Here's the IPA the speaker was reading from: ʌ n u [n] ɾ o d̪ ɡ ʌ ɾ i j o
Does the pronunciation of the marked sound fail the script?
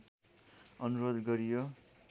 yes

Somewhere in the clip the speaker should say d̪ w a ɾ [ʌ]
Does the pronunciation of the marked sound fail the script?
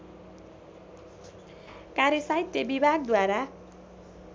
yes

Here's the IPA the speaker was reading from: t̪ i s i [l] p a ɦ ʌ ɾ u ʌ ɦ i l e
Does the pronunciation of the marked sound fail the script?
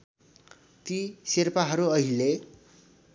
yes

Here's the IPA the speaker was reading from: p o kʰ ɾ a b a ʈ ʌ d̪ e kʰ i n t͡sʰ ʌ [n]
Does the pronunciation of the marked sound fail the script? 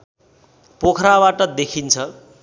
yes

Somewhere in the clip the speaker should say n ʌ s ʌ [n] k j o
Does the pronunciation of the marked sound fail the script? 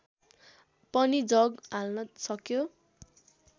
yes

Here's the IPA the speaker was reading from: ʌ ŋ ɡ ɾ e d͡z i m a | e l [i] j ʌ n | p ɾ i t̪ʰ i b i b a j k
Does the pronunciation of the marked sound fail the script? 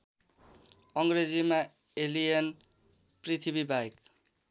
no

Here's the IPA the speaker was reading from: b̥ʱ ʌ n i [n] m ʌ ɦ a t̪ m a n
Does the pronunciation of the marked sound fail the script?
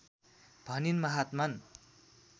no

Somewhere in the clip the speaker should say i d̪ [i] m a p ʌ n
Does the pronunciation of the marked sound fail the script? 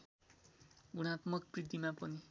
no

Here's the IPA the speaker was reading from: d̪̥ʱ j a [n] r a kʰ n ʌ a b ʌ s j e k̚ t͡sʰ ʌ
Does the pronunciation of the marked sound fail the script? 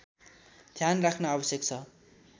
no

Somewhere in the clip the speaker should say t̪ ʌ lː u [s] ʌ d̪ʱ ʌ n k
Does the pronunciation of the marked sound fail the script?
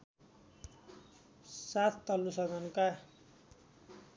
no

